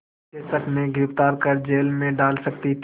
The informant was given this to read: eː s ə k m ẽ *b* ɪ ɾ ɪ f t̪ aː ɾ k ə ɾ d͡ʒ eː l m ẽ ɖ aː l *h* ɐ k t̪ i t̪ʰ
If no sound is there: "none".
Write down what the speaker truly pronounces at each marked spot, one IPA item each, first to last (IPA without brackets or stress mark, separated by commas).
ɡ, s